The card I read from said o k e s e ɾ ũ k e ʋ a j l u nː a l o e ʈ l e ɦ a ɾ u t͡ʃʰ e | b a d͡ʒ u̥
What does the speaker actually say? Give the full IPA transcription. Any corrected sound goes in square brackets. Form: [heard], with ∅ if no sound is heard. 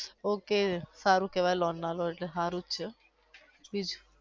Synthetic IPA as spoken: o k e s [a] ɾ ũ k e ʋ a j l [ɔ] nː a l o e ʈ l e ɦ a ɾ u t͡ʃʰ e | b [i] d͡ʒ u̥

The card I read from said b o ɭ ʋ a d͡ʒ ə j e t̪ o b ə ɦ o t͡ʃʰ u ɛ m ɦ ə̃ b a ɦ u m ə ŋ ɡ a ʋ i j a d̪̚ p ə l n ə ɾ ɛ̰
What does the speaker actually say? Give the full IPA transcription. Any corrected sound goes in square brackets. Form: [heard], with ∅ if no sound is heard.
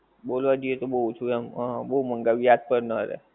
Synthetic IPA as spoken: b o [l] ʋ a d͡ʒ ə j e t̪ o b ə ɦ [u] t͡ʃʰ u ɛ m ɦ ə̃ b [ə] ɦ u m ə ŋ ɡ a ʋ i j a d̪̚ p ə [ɾ] n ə ɾ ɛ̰

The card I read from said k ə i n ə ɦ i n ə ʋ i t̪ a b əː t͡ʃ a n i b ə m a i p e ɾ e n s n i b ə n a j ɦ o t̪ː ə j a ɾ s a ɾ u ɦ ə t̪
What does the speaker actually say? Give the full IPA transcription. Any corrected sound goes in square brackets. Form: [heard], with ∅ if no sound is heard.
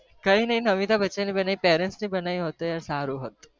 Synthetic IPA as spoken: k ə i n ə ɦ i n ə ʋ i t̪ a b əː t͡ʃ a n i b ə [n] a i p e ɾ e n s n i b ə n a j ɦ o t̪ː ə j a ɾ s a ɾ u ɦ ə t̪

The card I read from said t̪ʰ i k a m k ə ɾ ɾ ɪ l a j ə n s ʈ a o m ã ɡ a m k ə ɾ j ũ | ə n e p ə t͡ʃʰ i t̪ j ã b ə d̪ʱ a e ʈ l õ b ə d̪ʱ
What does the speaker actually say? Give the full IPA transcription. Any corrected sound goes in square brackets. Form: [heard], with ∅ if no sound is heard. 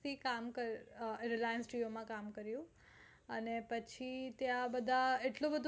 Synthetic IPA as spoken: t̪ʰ i k a m k ə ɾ ɾ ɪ l a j ə n s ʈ [i] o m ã [k] a m k ə ɾ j ũ | ə n e p ə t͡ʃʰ i t̪ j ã b ə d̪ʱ a e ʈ l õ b ə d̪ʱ

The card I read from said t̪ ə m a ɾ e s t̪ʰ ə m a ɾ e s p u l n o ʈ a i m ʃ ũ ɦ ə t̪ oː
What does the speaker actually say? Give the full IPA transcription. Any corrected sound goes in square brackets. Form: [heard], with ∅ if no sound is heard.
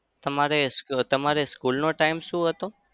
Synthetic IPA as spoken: t̪ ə m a ɾ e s [t̪] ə m a ɾ e s [k] u l n o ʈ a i m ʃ ũ ɦ ə t̪ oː

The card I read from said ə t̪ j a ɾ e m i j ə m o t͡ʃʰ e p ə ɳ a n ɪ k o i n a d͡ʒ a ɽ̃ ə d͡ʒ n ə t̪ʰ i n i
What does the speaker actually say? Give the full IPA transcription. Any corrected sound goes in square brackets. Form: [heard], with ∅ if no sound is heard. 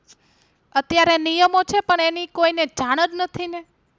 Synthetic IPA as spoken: ə t̪ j a ɾ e [n] i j ə m o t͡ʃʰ e p ə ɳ [e] n [i] k o i n [e] d͡ʒ a ɽ̃ ə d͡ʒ n ə t̪ʰ i n [e]

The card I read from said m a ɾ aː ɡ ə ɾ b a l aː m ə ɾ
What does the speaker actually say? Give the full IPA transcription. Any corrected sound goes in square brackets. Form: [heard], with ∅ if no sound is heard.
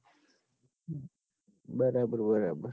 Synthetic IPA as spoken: [b] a ɾ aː [b] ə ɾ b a [ɾ] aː [b] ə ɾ

